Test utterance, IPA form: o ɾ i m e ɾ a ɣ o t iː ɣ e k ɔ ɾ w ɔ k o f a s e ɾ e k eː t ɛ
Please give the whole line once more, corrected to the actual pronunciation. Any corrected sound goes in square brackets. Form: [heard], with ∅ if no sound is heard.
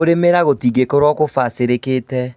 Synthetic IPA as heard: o ɾ [e] m e ɾ a ɣ o t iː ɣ e k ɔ ɾ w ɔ k o f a s e ɾ e k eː t ɛ